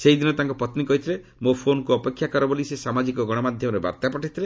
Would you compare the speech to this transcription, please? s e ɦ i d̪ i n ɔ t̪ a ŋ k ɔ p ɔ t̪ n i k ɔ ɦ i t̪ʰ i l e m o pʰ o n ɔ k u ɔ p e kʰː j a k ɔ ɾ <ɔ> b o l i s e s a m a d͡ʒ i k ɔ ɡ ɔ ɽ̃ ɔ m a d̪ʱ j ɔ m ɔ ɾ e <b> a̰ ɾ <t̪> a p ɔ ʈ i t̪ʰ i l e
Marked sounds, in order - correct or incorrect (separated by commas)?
correct, correct, correct